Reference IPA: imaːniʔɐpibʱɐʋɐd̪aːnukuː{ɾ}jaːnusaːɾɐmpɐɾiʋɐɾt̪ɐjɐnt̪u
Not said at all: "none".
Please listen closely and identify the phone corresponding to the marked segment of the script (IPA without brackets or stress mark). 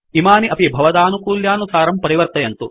l